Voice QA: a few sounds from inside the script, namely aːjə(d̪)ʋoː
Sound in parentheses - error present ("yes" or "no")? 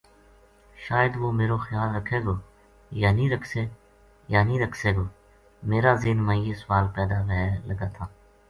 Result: no